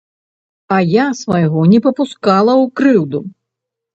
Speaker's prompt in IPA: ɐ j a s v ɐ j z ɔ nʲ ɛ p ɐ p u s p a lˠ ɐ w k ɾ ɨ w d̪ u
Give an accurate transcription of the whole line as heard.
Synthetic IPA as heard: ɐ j a s v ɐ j ɣ ɔ nʲ ɛ p ɐ p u s k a lˠ ɐ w k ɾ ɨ w d̪ u